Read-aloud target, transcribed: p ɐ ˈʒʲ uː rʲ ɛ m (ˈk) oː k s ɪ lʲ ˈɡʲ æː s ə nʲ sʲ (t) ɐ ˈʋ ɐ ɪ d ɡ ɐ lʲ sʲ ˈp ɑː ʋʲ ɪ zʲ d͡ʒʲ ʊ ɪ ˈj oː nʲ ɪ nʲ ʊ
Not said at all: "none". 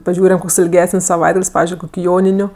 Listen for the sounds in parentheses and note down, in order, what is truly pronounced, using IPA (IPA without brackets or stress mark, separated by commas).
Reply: k, s